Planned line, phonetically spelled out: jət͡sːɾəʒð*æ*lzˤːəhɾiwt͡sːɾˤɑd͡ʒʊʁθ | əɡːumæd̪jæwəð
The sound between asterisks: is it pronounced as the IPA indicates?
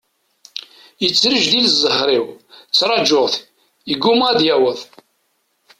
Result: no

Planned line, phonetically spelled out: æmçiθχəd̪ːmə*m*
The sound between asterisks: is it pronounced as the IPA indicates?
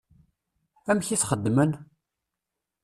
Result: no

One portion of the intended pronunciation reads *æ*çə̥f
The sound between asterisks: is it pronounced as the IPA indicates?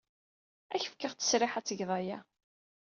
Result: yes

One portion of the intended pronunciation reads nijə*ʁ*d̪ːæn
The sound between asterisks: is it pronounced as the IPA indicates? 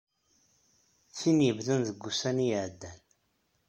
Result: no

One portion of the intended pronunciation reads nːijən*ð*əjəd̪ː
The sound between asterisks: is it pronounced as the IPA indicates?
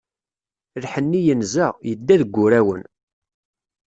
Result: no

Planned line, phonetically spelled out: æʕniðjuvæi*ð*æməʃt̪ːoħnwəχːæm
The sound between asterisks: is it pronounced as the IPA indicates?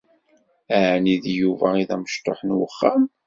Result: yes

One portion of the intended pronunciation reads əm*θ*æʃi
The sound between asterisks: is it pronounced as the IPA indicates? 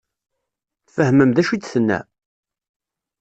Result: no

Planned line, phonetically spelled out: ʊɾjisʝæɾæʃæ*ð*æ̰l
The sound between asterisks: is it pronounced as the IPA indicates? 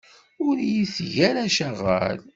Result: no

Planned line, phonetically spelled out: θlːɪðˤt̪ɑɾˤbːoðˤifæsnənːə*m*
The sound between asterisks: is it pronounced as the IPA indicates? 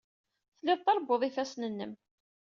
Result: yes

